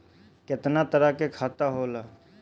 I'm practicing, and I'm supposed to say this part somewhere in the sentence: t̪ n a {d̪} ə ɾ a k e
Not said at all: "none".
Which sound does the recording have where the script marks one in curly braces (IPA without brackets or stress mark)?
t̪